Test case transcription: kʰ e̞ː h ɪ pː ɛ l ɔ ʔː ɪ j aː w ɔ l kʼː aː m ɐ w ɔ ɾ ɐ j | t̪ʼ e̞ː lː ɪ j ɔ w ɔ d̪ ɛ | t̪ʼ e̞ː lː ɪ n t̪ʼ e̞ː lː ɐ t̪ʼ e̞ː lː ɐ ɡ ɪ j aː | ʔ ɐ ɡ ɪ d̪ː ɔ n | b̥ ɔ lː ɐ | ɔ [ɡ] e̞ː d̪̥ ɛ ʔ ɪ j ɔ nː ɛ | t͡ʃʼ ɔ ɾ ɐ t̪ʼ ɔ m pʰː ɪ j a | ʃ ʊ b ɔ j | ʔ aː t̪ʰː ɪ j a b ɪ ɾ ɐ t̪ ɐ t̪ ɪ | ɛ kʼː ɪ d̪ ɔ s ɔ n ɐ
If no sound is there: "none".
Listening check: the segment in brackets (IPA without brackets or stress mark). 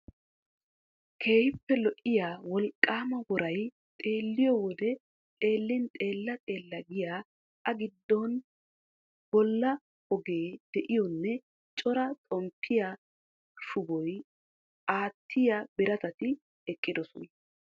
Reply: ɡ